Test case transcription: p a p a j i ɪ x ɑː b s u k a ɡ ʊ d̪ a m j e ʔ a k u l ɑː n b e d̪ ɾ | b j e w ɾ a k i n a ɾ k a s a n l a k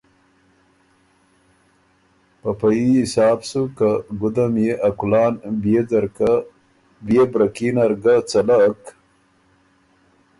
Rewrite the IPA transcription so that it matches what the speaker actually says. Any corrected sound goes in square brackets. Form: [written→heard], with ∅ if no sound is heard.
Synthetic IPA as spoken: p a p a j i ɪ [x→s] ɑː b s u k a ɡ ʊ d̪ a m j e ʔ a k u l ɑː n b e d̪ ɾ | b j e [w→b] ɾ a k i n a ɾ [k→ɡ] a [s→t͡s] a [n→∅] l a k